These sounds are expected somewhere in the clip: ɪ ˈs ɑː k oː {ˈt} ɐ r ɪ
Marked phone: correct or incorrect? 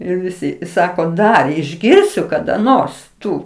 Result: incorrect